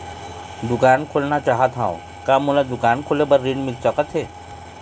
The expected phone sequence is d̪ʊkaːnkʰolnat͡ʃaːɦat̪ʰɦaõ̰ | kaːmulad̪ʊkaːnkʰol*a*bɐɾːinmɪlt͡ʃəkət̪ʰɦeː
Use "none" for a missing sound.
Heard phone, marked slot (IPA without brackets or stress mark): e